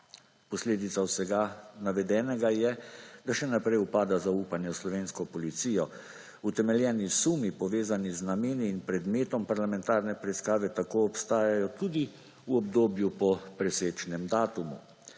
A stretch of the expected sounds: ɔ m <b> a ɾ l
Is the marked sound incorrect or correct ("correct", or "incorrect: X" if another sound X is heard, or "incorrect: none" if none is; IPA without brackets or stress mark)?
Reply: incorrect: p